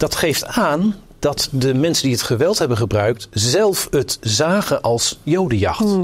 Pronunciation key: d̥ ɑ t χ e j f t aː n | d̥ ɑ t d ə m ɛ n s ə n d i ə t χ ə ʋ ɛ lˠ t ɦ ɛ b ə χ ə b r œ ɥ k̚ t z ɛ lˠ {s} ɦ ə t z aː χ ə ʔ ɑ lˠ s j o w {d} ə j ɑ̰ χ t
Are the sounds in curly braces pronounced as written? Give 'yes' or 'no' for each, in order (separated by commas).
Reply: no, yes